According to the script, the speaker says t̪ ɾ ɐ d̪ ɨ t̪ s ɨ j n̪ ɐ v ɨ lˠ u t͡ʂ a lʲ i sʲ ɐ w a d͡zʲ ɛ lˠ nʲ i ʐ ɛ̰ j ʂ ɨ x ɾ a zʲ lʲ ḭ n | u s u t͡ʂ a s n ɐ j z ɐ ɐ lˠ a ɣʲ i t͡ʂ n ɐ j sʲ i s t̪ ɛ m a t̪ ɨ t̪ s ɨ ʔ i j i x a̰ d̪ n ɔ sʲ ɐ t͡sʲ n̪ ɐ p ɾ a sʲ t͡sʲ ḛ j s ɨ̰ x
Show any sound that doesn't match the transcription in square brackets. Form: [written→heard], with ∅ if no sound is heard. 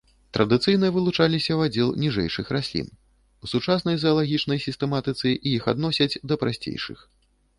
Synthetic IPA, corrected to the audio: t̪ ɾ ɐ d̪ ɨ t̪ s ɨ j n̪ ɐ v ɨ lˠ u t͡ʂ a lʲ i sʲ ɐ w a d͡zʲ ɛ lˠ nʲ i ʐ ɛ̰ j ʂ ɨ x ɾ a [zʲ→sʲ] lʲ ḭ n | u s u t͡ʂ a s n ɐ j z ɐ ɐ lˠ a ɣʲ i t͡ʂ n ɐ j sʲ i s t̪ ɛ m a t̪ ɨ t̪ s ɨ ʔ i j i x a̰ d̪ n ɔ sʲ ɐ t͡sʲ [n̪→d̪] ɐ p ɾ a sʲ t͡sʲ ḛ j [s→ʂ] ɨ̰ x